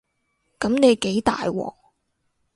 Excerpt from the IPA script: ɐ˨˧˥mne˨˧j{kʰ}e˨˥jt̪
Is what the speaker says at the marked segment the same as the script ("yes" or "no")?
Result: no